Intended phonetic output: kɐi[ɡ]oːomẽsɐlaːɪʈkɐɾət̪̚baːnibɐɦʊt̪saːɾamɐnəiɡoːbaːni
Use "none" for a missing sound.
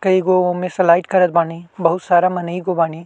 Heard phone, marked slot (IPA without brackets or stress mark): ɡ